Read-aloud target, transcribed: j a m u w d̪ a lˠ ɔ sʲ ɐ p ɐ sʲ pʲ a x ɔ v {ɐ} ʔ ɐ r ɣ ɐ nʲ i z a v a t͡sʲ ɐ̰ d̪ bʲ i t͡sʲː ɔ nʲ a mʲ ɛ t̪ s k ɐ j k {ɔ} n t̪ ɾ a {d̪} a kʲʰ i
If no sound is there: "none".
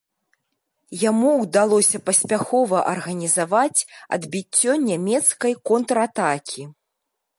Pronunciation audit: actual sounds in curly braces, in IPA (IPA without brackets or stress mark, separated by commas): ɐ, ɔ, t̪